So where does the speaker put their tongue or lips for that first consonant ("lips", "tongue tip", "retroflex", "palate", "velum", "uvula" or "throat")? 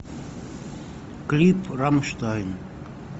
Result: velum